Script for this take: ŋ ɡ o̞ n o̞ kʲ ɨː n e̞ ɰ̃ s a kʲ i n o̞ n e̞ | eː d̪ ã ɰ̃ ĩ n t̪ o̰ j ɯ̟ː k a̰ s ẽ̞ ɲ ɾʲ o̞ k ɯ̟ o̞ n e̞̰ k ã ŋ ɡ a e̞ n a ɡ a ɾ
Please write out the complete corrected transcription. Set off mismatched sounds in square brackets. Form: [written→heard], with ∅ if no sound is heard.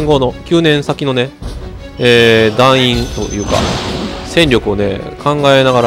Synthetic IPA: ŋ ɡ o̞ n o̞ kʲ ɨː n [e̞→ẽ̞] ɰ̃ s a kʲ i n o̞ n e̞ | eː d̪ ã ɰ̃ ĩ n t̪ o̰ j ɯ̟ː k a̰ s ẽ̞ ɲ ɾʲ o̞ k ɯ̟ o̞ n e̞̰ k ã ŋ ɡ a e̞ n a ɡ a ɾ